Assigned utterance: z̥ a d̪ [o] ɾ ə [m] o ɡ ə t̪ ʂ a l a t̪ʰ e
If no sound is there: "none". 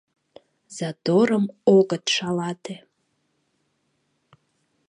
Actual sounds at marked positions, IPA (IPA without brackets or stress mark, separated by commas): o, m